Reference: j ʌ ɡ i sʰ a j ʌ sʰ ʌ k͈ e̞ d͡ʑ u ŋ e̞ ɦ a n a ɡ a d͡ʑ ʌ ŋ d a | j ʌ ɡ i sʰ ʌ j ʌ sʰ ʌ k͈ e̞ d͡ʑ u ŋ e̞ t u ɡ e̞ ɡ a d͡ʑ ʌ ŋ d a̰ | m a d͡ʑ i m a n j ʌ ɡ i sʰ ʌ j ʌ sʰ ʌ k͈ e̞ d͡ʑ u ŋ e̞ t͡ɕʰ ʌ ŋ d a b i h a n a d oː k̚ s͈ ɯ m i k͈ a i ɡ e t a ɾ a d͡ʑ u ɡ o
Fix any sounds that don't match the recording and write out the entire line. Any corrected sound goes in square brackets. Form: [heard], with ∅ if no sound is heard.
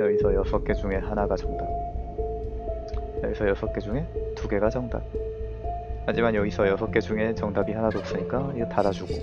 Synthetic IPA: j ʌ ɡ i sʰ [ʌ] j ʌ sʰ ʌ k͈ e̞ d͡ʑ u ŋ e̞ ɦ a n a ɡ a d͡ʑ ʌ ŋ d a | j ʌ ɡ i sʰ ʌ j ʌ sʰ ʌ k͈ e̞ d͡ʑ u ŋ e̞ t u ɡ e̞ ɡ a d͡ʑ ʌ ŋ d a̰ | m a d͡ʑ i m a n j ʌ ɡ i sʰ ʌ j ʌ sʰ ʌ k͈ e̞ d͡ʑ u ŋ e̞ [t͡ɕ] ʌ ŋ d a b i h a n a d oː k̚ s͈ ɯ [ɲ] i k͈ a i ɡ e t a ɾ a d͡ʑ u ɡ o